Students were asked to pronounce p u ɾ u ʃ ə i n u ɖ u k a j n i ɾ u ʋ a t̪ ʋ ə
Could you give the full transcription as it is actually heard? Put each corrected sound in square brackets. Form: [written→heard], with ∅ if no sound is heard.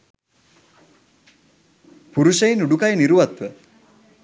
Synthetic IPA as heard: p u ɾ u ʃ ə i n u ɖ u k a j n i ɾ u ʋ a t̪ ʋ ə